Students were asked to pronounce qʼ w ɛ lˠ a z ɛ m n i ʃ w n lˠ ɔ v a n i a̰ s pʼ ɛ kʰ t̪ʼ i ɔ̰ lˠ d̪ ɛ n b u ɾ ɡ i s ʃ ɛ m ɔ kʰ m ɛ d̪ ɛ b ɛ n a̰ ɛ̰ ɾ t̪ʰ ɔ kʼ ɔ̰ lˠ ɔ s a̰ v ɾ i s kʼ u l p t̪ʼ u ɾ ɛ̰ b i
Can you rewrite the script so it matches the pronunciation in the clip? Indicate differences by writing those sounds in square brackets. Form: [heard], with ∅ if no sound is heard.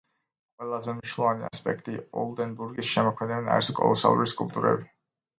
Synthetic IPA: qʼ w ɛ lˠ a z ɛ m n i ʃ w n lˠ ɔ v a n i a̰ s pʼ ɛ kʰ t̪ʼ i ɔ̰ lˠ d̪ ɛ n b u ɾ ɡ i s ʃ ɛ m ɔ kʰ m ɛ d̪ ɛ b ɛ n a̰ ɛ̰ ɾ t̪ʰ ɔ kʼ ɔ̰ lˠ ɔ s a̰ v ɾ i s kʼ u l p t̪ʼ u ɾ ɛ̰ b i